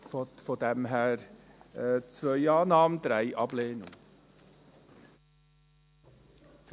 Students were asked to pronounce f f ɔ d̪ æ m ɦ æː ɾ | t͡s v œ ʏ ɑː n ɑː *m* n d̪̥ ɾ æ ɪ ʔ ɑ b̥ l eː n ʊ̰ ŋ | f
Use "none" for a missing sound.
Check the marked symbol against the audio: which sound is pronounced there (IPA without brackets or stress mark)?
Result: m